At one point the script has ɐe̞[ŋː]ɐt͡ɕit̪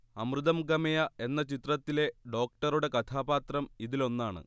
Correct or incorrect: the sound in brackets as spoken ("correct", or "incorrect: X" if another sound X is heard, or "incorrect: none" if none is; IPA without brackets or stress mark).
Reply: incorrect: nː